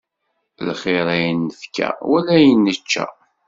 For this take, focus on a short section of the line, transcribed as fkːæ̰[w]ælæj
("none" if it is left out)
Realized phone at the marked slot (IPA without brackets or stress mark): w